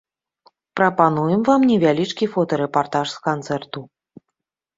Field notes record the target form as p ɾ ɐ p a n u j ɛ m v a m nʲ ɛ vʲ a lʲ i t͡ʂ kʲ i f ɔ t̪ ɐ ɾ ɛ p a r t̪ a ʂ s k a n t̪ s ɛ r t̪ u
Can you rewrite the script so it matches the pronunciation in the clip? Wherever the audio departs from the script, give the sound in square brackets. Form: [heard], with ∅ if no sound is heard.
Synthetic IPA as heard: p ɾ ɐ p a n u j ɛ m v a m nʲ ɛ vʲ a lʲ i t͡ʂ kʲ i f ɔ t̪ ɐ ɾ ɛ p a r t̪ a ʂ s k a n t̪ s ɛ r t̪ u